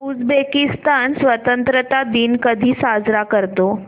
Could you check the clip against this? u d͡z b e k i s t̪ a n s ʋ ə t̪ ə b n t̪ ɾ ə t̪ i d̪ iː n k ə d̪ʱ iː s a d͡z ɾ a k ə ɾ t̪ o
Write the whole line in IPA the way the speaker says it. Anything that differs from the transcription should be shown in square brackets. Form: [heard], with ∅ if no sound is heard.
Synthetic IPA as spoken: u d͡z b e k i s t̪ a n s ʋ ə t̪ ə [∅] n t̪ ɾ ə t̪ [a] d̪ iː n k ə d̪ʱ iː s a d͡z ɾ a k ə ɾ t̪ o